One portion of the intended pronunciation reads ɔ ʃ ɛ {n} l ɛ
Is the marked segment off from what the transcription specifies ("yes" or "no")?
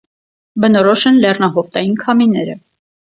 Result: no